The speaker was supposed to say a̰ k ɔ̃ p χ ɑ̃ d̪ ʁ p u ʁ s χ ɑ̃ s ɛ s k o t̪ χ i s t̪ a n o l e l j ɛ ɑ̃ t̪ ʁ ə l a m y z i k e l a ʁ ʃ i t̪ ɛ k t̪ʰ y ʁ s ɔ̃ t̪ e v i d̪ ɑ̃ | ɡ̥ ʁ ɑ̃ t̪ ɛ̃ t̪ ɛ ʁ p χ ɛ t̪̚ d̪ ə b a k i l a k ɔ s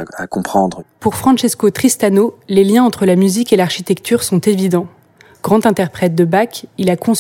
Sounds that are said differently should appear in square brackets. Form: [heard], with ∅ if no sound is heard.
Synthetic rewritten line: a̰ k ɔ̃ p χ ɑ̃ d̪ ʁ p u ʁ [f] χ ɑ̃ [ʃ] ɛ s k o t̪ χ i s t̪ a n o l e l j [ɛ̃] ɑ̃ t̪ [χ] ə l a m y z i k e l a ʁ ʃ i t̪ ɛ k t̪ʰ y ʁ s ɔ̃ t̪ e v i d̪ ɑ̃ | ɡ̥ ʁ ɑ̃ t̪ ɛ̃ t̪ ɛ ʁ p χ ɛ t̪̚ d̪ ə b a k i l a k [ɔ̃] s